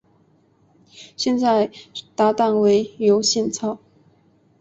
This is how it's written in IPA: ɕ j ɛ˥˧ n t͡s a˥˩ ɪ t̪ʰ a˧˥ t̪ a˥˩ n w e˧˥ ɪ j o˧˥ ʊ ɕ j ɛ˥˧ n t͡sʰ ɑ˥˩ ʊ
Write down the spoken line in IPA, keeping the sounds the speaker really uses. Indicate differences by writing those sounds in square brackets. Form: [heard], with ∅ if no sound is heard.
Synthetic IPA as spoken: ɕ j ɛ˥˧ n t͡s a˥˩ ɪ [t̪] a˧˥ t̪ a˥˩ n w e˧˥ ɪ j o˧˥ ʊ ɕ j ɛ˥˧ n t͡sʰ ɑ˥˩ ʊ